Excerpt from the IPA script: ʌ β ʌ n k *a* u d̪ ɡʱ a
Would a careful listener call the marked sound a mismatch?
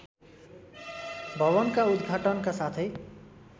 no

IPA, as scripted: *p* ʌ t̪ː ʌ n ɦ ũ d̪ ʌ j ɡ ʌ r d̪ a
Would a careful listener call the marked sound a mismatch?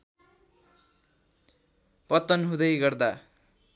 no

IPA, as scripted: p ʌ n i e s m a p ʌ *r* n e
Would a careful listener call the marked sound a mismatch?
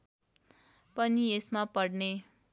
yes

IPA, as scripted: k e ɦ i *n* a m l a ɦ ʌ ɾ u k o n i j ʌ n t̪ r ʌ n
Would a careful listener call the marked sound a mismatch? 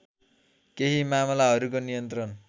yes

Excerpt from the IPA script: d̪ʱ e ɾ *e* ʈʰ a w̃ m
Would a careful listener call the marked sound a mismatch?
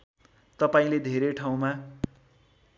no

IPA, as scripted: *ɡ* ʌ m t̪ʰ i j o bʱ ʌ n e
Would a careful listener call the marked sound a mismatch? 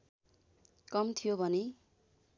yes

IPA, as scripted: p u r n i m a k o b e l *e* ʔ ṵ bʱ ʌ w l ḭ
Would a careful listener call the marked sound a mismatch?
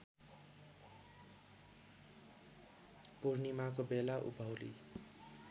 yes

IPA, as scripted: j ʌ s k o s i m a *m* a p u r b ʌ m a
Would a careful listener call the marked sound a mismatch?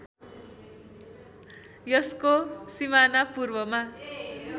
yes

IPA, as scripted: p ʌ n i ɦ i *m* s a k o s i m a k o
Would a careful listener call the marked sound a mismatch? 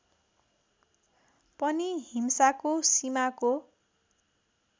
no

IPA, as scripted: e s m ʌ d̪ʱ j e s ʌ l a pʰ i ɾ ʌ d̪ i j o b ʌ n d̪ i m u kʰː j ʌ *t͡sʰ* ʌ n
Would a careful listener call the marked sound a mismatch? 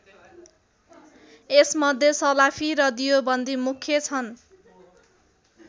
no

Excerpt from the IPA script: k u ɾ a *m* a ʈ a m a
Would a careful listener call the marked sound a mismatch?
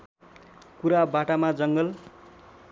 yes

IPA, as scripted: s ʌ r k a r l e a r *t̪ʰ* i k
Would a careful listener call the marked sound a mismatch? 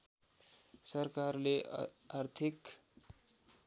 no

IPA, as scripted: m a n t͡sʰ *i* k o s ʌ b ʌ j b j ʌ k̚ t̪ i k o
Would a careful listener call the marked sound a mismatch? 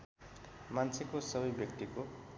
yes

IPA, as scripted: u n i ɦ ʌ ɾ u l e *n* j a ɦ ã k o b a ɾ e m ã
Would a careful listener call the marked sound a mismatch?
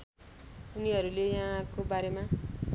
yes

